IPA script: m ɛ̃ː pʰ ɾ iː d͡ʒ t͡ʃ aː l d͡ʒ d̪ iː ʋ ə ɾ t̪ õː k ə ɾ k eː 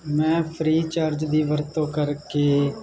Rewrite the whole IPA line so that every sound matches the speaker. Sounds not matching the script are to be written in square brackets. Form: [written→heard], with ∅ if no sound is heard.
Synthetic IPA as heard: m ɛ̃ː pʰ ɾ iː [d͡ʒ→∅] t͡ʃ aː [l→ɾ] d͡ʒ d̪ iː ʋ ə ɾ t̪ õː k ə ɾ k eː